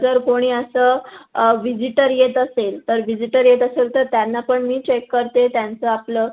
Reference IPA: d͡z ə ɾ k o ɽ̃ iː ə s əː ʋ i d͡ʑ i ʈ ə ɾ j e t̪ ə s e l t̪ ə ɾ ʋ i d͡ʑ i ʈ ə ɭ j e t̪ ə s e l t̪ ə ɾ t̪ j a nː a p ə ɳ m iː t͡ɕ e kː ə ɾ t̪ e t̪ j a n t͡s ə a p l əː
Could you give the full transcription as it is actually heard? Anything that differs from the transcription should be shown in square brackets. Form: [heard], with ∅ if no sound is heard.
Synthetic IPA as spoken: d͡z ə ɾ k o ɽ̃ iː ə s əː ʋ i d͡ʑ i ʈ ə ɾ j e t̪ ə s e l t̪ ə ɾ ʋ i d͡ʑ i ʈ ə [ɾ] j e t̪ ə s e l t̪ ə ɾ t̪ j a nː a p ə ɳ m iː t͡ɕ e kː ə ɾ t̪ e t̪ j a n t͡s ə a p l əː